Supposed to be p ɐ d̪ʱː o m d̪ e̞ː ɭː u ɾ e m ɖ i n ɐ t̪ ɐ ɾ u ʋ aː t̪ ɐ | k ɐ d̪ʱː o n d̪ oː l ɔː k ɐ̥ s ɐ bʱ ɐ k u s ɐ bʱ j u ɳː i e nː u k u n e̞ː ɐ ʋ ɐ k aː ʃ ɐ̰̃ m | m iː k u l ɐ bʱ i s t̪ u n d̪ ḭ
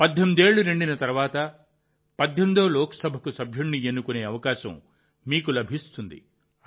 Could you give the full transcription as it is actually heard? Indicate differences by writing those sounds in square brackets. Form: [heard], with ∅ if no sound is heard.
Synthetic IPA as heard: p ɐ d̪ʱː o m d̪ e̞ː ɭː u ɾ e [ɳ] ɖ i n ɐ t̪ ɐ ɾ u ʋ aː t̪ ɐ | [p] ɐ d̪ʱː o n d̪ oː l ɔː k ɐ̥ s ɐ bʱ ɐ k u s ɐ bʱ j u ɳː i e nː u k u n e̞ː ɐ ʋ ɐ k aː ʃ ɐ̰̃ m | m iː k u l ɐ bʱ i s t̪ u n d̪ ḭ